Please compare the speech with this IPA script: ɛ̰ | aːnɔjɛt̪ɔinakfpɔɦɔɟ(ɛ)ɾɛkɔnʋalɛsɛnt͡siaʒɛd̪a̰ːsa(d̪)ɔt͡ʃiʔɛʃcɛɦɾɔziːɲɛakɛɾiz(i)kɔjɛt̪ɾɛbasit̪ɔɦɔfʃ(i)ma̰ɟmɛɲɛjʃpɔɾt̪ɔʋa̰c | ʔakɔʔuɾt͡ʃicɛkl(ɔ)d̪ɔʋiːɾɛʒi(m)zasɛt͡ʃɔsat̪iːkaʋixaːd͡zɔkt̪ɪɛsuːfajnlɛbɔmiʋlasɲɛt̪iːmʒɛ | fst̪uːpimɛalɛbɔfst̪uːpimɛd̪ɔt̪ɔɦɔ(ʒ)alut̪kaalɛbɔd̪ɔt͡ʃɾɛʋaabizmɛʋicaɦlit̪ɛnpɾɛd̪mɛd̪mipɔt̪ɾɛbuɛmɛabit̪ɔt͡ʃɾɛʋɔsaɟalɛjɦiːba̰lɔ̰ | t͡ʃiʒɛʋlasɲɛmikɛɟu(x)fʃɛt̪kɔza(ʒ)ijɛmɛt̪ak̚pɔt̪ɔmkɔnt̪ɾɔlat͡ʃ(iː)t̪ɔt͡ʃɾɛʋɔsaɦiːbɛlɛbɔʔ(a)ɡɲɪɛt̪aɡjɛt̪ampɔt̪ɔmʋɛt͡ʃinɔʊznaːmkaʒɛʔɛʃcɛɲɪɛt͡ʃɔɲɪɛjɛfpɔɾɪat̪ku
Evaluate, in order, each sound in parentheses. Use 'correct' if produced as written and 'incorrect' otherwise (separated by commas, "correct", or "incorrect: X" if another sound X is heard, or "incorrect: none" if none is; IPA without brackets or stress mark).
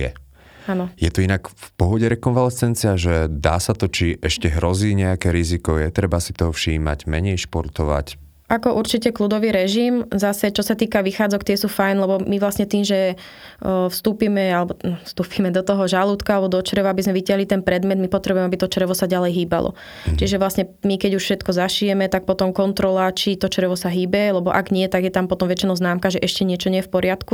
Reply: correct, incorrect: t̪, correct, incorrect: iː, incorrect: u, correct, correct, incorrect: ʃ, incorrect: ʃ, incorrect: i, correct